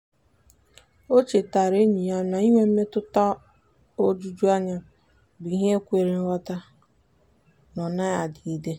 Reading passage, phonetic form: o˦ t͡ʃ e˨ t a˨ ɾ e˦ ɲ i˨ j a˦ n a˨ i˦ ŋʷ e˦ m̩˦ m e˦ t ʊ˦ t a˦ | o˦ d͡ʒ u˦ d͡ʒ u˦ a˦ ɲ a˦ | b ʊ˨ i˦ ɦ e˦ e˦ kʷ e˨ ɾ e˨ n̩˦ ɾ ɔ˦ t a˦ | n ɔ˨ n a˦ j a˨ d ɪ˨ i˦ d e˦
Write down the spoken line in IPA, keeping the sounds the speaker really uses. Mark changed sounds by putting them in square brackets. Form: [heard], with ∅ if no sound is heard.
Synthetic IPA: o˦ t͡ʃ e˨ t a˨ ɾ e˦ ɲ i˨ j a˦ n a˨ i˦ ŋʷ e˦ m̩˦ m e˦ t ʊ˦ t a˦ | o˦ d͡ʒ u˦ d͡ʒ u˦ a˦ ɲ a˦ | b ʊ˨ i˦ ɦ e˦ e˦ kʷ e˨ ɾ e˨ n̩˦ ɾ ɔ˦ t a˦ | n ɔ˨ n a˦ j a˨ d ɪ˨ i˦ d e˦